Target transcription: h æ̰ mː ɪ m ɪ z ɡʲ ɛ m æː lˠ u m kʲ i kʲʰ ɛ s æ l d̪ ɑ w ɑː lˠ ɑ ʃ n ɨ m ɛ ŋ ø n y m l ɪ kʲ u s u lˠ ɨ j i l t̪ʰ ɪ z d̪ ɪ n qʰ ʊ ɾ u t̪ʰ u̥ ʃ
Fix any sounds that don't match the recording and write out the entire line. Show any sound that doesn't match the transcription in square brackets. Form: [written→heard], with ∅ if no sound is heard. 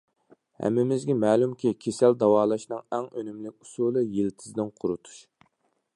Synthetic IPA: h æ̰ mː ɪ m ɪ z ɡʲ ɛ m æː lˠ u m kʲ i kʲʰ [ɛ→e] s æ l d̪ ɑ w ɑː lˠ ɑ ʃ n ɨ [m→ŋ] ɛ ŋ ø n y m l ɪ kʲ u s u lˠ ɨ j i l t̪ʰ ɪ z d̪ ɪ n qʰ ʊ ɾ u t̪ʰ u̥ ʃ